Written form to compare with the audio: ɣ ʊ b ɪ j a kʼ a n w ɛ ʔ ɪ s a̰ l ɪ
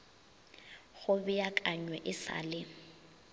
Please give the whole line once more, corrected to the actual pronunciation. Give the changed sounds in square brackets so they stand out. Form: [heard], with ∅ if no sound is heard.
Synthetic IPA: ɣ ʊ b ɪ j a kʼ a [ɲ] w ɛ ʔ ɪ s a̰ l ɪ